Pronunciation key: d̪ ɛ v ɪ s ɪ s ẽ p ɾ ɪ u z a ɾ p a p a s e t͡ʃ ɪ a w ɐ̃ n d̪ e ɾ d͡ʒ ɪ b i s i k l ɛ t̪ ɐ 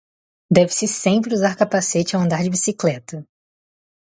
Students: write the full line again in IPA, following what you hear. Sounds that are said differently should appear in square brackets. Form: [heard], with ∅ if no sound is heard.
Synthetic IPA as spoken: d̪ ɛ v ɪ s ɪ s ẽ p ɾ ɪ u z a ɾ [k] a p a s e t͡ʃ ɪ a w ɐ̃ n d̪ [a] ɾ d͡ʒ ɪ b i s i k l ɛ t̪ ɐ